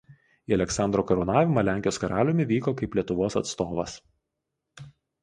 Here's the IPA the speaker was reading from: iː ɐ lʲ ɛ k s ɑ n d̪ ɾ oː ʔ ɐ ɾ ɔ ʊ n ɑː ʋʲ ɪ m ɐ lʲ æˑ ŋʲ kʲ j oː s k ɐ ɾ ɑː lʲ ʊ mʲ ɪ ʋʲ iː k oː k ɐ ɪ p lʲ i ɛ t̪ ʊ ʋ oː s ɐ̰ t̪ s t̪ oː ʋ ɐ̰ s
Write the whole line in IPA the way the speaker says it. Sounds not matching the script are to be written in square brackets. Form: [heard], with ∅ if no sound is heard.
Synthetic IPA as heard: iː ɐ lʲ ɛ k s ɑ n d̪ ɾ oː [k] ɐ ɾ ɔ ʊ n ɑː ʋʲ ɪ m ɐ lʲ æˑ ŋʲ kʲ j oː s k ɐ ɾ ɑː lʲ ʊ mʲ ɪ ʋʲ iː k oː k ɐ ɪ p lʲ i ɛ t̪ ʊ ʋ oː s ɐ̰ t̪ s t̪ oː ʋ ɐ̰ s